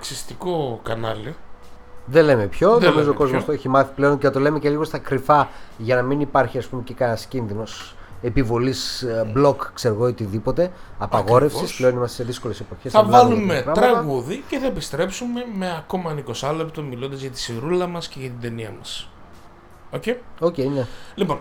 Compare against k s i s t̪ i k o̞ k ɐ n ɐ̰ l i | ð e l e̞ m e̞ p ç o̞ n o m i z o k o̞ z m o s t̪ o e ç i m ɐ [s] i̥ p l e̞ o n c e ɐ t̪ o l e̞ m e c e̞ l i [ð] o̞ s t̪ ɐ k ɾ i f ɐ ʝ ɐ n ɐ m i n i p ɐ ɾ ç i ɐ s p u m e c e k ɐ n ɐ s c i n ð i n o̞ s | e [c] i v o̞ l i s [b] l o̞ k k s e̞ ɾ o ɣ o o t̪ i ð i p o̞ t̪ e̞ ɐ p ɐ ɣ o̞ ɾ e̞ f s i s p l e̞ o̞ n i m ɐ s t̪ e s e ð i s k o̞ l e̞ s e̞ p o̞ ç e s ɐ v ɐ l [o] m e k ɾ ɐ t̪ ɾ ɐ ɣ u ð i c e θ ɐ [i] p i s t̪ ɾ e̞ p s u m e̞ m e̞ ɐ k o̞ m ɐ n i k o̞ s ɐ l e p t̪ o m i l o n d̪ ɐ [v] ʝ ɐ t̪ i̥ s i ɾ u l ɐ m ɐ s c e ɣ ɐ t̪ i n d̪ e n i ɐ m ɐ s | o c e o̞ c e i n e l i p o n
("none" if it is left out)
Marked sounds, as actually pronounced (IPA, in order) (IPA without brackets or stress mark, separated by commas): θ, ɣ, p, b, u, e, z